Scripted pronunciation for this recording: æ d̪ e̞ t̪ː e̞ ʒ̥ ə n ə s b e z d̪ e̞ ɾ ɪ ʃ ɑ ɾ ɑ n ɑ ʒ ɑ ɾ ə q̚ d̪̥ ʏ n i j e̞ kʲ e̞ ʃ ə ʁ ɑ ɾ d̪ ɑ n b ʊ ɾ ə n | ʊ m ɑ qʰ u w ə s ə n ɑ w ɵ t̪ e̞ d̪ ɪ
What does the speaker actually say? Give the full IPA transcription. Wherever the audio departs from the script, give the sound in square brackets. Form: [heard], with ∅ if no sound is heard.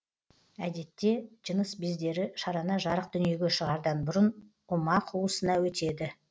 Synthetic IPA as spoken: æ d̪ e̞ t̪ː e̞ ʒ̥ ə n ə s b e z d̪ e̞ ɾ ɪ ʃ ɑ ɾ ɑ n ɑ ʒ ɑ ɾ ə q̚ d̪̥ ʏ n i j e̞ [ɡʲ] e̞ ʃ ə ʁ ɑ ɾ d̪ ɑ n b ʊ ɾ ə n | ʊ m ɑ qʰ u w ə s ə n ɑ w ɵ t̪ e̞ d̪ ɪ

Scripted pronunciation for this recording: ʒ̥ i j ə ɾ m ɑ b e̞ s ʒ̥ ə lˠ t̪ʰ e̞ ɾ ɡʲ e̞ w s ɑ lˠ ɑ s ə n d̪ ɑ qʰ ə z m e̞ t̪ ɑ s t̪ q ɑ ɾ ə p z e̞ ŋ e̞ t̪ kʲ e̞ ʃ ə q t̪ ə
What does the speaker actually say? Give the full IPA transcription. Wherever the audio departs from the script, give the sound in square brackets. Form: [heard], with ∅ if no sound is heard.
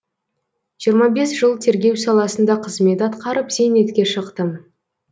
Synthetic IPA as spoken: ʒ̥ i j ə ɾ m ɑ b e̞ s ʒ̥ ə lˠ t̪ʰ e̞ ɾ ɡʲ e̞ w s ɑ lˠ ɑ s ə n d̪ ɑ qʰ ə z m e̞ t̪ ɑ [∅] t̪ q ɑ ɾ ə p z e̞ [n] e̞ t̪ kʲ e̞ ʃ ə q t̪ ə

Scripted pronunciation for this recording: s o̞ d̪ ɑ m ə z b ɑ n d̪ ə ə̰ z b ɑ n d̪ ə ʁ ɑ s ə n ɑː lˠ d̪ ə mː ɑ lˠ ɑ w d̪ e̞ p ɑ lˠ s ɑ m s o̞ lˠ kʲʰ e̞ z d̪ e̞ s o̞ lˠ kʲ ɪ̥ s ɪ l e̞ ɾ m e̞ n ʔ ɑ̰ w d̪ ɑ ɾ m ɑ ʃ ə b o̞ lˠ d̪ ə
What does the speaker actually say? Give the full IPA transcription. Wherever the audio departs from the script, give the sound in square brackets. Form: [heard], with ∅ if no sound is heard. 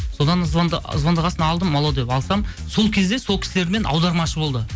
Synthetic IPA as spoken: s o̞ d̪ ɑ [n] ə z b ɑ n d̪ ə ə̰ z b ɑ n d̪ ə ʁ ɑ s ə n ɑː lˠ d̪ ə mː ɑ lˠ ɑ w d̪ e̞ p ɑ lˠ s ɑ m s o̞ lˠ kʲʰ e̞ z d̪ e̞ s o̞ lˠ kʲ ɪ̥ s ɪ l e̞ ɾ m e̞ n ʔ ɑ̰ w d̪ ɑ ɾ m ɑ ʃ ə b o̞ lˠ d̪ ə

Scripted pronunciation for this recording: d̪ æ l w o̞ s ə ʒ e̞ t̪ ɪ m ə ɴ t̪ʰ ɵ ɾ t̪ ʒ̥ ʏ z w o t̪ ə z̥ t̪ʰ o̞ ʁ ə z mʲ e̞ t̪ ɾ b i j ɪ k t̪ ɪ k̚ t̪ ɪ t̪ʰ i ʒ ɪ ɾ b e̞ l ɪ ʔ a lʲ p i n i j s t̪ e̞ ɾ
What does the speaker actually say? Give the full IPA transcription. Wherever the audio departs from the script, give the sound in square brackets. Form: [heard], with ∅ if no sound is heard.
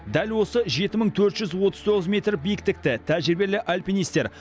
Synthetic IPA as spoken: d̪ æ l w o̞ s ə ʒ e̞ t̪ ɪ m ə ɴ t̪ʰ ɵ ɾ t̪ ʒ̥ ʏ z w o t̪ ə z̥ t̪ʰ o̞ ʁ ə z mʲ e̞ t̪ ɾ b i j ɪ k t̪ ɪ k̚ t̪ ɪ t̪ʰ [æ] ʒ ɪ ɾ b e̞ l ɪ ʔ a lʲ p i n i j s t̪ e̞ ɾ

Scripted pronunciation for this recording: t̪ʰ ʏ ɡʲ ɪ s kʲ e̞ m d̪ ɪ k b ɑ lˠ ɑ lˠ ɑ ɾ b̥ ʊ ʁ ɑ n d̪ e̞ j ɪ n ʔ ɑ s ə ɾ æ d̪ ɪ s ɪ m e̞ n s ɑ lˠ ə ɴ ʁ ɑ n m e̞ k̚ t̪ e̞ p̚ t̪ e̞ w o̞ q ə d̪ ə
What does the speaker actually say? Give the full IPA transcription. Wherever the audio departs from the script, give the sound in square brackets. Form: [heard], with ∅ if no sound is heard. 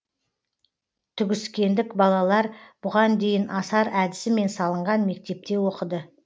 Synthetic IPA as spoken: t̪ʰ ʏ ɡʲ ɪ s kʲ e̞ [n] d̪ ɪ k b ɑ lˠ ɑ lˠ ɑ ɾ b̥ ʊ ʁ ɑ n d̪ e̞ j ɪ n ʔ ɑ s [ɑ] ɾ æ d̪ ɪ s ɪ m e̞ n s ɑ lˠ ə ɴ ʁ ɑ n m e̞ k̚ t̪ e̞ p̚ t̪ e̞ w o̞ q ə d̪ ə

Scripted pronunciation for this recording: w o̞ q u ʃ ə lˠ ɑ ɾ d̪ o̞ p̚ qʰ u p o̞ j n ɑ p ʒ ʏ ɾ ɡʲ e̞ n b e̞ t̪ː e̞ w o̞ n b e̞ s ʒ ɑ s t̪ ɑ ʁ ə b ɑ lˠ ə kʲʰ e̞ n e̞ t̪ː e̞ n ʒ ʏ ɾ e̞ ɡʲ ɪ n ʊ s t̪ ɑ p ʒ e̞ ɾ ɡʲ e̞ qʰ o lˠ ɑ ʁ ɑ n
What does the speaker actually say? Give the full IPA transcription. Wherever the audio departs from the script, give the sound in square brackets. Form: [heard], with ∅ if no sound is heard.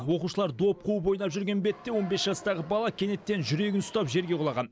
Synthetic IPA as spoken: w o̞ q u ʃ ə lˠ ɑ ɾ d̪ o̞ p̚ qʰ u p o̞ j n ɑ p ʒ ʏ ɾ ɡʲ e̞ n b e̞ t̪ː e̞ w o̞ n b e̞ s ʒ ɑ s t̪ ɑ ʁ ə b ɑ lˠ [ɑ] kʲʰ e̞ n e̞ t̪ː e̞ n ʒ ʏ ɾ e̞ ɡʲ ɪ n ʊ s t̪ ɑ p ʒ e̞ ɾ ɡʲ e̞ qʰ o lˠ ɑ ʁ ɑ n

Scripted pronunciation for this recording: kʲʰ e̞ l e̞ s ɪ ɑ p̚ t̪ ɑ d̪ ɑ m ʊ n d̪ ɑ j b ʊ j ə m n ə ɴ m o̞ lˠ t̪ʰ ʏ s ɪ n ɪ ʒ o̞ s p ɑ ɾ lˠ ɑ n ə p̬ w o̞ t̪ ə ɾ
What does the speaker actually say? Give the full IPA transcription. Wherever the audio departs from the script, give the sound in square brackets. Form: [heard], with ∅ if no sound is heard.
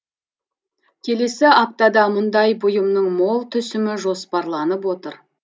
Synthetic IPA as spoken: kʲʰ e̞ l e̞ s ɪ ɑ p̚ t̪ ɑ d̪ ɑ m ʊ n d̪ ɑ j b ʊ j ə m n ə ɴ m o̞ lˠ t̪ʰ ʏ s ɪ [m] ɪ ʒ o̞ s p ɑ ɾ lˠ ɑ n ə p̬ w o̞ t̪ ə ɾ

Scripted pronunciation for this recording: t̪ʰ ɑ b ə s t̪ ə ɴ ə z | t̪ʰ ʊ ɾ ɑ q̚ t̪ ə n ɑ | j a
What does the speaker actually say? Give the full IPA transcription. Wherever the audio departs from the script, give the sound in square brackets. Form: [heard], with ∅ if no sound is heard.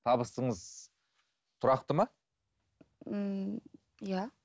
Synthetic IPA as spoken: t̪ʰ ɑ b ə s t̪ ə ɴ ə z | t̪ʰ ʊ ɾ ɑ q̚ t̪ ə [m] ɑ | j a

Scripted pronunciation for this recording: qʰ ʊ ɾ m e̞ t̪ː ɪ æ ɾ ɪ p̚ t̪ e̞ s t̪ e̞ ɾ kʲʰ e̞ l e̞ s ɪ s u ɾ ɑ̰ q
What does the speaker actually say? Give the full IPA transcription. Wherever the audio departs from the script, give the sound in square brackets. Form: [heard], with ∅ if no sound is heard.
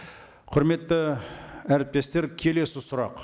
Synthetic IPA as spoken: qʰ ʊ ɾ m e̞ t̪ː ɪ æ ɾ ɪ p̚ t̪ e̞ s t̪ e̞ ɾ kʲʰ e̞ l e̞ s ɪ s [ʊ] ɾ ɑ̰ q

